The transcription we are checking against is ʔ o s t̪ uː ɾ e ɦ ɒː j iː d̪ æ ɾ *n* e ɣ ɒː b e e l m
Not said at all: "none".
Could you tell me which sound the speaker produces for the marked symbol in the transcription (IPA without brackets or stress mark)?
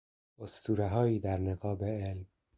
n